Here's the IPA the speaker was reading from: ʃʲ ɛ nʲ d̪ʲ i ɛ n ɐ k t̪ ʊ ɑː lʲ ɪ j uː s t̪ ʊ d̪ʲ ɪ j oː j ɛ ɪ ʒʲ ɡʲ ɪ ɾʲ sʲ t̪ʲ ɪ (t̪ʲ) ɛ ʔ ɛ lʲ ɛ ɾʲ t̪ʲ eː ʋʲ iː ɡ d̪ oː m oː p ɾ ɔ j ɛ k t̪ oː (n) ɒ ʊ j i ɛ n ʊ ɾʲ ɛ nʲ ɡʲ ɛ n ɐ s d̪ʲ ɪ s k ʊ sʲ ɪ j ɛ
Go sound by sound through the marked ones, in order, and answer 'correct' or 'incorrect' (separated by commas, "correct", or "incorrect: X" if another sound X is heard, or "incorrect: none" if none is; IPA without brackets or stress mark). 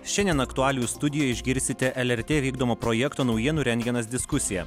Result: correct, correct